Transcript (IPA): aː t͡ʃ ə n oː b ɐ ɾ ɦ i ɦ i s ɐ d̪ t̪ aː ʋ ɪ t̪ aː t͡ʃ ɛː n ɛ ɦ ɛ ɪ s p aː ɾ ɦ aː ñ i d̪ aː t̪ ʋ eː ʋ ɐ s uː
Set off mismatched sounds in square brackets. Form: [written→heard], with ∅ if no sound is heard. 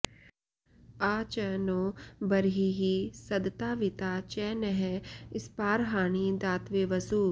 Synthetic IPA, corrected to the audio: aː t͡ʃ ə n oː b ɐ ɾ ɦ i ɦ i s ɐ d̪ t̪ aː ʋ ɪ t̪ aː t͡ʃ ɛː n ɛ ɦ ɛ ɪ s p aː ɾ ɦ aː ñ i d̪ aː t̪ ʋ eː ʋ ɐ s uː